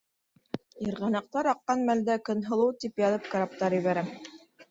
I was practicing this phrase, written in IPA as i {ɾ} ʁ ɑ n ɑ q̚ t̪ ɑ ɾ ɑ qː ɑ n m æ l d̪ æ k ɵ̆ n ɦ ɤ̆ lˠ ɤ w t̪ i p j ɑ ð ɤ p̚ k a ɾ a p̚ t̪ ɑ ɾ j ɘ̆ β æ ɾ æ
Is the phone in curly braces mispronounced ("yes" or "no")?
no